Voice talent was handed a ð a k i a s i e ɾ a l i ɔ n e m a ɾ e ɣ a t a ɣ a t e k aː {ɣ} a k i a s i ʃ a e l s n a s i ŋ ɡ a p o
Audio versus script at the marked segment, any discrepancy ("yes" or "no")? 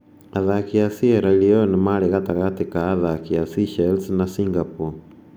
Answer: yes